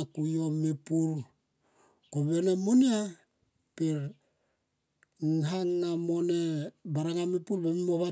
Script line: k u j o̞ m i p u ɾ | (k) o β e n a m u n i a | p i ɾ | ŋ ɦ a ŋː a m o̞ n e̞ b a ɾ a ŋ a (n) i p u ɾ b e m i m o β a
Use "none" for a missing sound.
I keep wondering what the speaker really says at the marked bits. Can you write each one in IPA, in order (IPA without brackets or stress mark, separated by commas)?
k, m